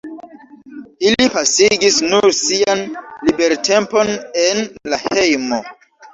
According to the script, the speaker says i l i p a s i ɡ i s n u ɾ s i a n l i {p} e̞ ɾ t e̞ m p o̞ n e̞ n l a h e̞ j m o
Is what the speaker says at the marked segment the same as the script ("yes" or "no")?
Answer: no